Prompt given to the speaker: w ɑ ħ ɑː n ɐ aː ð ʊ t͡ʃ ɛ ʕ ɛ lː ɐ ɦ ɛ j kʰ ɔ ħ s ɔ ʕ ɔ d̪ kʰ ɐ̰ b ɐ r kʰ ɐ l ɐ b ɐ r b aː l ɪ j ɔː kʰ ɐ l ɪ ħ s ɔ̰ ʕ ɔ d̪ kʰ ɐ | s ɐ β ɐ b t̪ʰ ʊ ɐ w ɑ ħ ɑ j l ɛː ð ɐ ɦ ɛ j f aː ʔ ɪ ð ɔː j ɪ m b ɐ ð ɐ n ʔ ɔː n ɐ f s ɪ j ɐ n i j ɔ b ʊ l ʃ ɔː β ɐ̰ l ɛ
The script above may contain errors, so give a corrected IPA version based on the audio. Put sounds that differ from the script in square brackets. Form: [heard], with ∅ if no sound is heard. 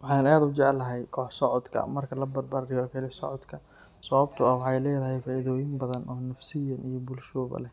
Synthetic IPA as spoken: w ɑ ħ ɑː n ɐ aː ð ʊ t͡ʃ ɛ ʕ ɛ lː ɐ ɦ ɛ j kʰ [ɔː] ħ s ɔ ʕ ɔ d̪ kʰ ɐ̰ [m] ɐ r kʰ ɐ l ɐ b ɐ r b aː [ɾ] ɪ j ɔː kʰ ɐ l ɪ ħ s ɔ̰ ʕ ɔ d̪ kʰ ɐ | s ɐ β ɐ b t̪ʰ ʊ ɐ w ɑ ħ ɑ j l ɛː ð ɐ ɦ ɛ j f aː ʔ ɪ ð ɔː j ɪ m b ɐ ð ɐ n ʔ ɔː n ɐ f s ɪ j ɐ n i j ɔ b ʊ l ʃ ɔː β ɐ̰ l ɛ